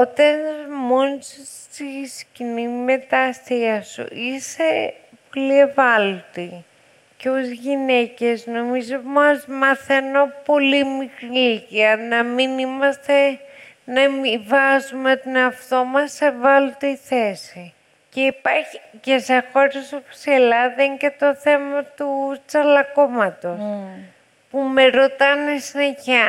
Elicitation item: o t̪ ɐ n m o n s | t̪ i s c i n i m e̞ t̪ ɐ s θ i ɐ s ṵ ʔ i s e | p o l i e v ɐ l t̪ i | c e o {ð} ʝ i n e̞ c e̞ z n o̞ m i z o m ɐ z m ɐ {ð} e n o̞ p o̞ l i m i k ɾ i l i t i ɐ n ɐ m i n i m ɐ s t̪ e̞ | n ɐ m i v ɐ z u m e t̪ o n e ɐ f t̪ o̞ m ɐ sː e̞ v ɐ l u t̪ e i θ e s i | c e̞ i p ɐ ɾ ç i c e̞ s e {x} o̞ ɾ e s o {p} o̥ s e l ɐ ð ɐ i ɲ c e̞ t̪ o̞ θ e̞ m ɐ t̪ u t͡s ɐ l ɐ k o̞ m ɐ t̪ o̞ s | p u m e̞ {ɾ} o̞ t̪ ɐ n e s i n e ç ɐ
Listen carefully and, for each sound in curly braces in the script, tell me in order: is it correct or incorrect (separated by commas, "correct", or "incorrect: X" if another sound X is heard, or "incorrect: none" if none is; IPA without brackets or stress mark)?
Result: incorrect: z, incorrect: θ, correct, correct, correct